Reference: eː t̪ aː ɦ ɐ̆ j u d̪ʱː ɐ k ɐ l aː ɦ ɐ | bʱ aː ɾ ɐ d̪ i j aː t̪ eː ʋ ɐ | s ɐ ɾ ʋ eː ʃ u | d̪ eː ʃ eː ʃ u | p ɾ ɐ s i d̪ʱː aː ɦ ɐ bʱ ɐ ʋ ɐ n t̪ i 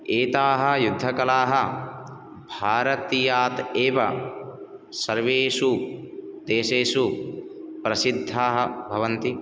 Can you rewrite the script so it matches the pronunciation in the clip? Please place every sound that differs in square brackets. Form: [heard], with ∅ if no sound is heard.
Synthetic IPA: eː t̪ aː ɦ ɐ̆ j u d̪ʱː ɐ k ɐ l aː ɦ ɐ | bʱ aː ɾ ɐ [t̪] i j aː t̪ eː ʋ ɐ | s ɐ ɾ ʋ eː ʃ u | d̪ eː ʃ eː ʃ u | p ɾ ɐ s i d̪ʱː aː ɦ ɐ bʱ ɐ ʋ ɐ n t̪ i

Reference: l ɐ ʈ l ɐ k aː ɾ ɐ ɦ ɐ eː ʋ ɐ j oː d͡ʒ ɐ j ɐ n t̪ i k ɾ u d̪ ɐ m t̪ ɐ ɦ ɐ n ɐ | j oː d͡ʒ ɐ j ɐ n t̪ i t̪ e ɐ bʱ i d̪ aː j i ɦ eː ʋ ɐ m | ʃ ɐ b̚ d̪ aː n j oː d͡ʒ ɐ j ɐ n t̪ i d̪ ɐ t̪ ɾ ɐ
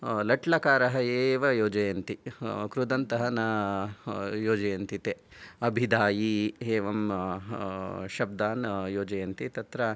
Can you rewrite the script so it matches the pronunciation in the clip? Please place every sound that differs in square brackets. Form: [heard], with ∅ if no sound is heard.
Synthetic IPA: l ɐ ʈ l ɐ k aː ɾ ɐ ɦ ɐ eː ʋ ɐ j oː d͡ʒ ɐ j ɐ n t̪ i k ɾ u d̪ ɐ [n] t̪ ɐ ɦ ɐ n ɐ | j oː d͡ʒ ɐ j ɐ n t̪ i t̪ e ɐ bʱ i d̪ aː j i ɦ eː ʋ ɐ m | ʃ ɐ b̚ d̪ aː n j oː d͡ʒ ɐ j ɐ n t̪ i [t̪] ɐ t̪ ɾ ɐ

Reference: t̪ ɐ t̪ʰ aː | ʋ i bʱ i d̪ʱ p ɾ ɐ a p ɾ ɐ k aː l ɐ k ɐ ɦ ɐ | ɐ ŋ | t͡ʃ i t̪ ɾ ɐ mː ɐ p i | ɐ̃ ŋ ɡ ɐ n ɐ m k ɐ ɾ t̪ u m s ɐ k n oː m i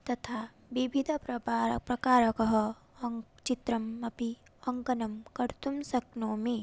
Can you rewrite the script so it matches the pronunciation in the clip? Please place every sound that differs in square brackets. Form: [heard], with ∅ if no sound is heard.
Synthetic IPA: t̪ ɐ t̪ʰ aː | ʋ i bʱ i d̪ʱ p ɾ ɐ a p ɾ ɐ k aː [ɾ] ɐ k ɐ ɦ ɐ | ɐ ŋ | t͡ʃ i t̪ ɾ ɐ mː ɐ p i | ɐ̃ ŋ [k] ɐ n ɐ m k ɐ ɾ t̪ u m s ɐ k n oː m i

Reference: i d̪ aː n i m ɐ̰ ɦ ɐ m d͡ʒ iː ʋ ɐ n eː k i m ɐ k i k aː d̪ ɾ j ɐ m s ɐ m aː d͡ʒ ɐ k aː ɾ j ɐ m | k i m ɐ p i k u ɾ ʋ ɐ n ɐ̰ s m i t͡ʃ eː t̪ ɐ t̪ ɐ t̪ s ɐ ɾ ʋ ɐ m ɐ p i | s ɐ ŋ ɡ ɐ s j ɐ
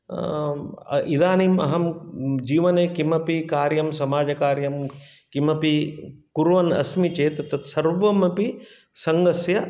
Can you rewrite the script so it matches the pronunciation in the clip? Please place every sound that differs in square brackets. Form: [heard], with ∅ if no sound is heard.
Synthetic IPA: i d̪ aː n i m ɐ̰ ɦ ɐ m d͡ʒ iː ʋ ɐ n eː k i m ɐ [p] i k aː [∅] ɾ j ɐ m s ɐ m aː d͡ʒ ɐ k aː ɾ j ɐ m | k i m ɐ p i k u ɾ ʋ ɐ n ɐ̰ s m i t͡ʃ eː t̪ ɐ t̪ ɐ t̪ s ɐ ɾ ʋ ɐ m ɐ p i | s ɐ ŋ ɡ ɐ s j ɐ

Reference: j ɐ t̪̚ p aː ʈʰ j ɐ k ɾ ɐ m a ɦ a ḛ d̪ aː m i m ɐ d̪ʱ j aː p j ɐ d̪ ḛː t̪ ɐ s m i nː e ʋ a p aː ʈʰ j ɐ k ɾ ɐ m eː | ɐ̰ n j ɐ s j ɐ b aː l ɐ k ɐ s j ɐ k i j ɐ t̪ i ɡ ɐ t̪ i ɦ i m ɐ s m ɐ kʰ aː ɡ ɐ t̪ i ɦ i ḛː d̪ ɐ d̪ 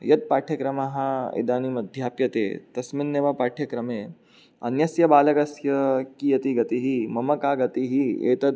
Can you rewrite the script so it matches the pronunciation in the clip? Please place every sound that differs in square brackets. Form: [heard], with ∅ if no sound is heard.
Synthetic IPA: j ɐ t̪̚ p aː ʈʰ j ɐ k ɾ ɐ m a ɦ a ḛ d̪ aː [n] i m ɐ d̪ʱ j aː p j ɐ [t̪] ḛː t̪ ɐ s m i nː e ʋ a p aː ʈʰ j ɐ k ɾ ɐ m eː | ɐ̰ n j ɐ s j ɐ b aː l ɐ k ɐ s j ɐ k i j ɐ t̪ i ɡ ɐ t̪ i ɦ i m ɐ [∅] m ɐ [k] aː ɡ ɐ t̪ i ɦ i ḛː [t̪] ɐ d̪

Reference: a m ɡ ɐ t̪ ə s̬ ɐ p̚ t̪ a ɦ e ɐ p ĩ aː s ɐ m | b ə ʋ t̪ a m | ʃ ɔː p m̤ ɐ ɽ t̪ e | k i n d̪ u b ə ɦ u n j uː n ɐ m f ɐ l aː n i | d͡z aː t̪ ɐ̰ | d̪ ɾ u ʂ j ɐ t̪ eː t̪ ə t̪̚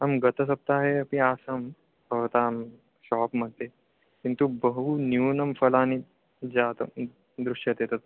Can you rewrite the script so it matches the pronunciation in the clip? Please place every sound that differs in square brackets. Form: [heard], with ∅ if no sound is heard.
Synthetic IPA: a m ɡ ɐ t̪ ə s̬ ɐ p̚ t̪ a ɦ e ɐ p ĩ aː s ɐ m | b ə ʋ t̪ a m | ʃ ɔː p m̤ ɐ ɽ t̪ e | k i n [t̪] u b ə ɦ u n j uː n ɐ m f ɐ l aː n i | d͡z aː t̪ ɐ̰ | d̪ ɾ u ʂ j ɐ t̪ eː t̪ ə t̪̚

